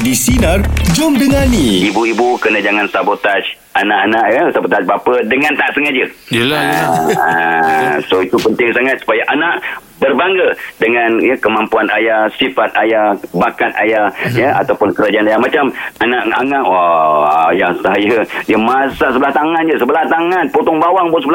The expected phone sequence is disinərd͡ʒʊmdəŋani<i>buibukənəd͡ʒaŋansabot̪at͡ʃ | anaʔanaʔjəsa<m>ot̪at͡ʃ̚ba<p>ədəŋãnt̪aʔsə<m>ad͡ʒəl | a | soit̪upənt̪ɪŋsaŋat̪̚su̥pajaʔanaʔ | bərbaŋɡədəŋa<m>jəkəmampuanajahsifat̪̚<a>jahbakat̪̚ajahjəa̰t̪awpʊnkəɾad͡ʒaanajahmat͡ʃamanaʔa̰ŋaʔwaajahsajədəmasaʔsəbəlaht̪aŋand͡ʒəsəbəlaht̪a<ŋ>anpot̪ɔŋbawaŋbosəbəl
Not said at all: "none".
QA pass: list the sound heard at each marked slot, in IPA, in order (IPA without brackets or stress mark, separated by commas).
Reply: i, b, p, ŋ, n, a, ŋ